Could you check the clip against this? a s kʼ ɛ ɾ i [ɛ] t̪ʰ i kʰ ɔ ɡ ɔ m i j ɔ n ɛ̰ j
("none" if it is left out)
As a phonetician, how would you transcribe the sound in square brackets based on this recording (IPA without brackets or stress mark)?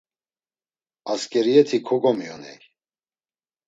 ɛ